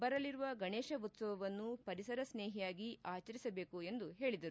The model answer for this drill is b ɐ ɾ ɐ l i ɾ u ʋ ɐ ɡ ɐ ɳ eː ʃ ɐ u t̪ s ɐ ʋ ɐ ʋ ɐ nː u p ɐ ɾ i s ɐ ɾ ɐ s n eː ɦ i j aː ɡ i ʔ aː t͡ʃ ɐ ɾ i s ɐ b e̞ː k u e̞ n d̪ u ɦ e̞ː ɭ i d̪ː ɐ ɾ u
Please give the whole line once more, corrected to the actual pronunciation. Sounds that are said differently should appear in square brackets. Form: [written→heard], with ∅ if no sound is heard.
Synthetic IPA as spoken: b ɐ ɾ ɐ l i ɾ u ʋ ɐ ɡ ɐ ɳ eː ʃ ɐ u t̪ s ɐ ʋ ɐ ʋ ɐ nː u p ɐ ɾ i s ɐ ɾ ɐ s n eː ɦ i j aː ɡ i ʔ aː t͡ʃ ɐ ɾ i s ɐ b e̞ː k u e̞ n d̪ u ɦ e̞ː ɭ i [d̪ː→d̪] ɐ ɾ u